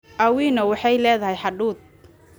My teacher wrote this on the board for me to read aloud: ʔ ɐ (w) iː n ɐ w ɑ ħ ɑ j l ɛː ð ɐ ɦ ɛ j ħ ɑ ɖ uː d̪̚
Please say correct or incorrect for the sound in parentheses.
correct